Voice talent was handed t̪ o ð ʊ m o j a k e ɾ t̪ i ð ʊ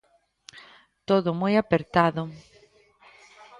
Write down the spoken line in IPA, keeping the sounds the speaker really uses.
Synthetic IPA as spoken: t̪ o ð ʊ m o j a p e ɾ t̪ a ð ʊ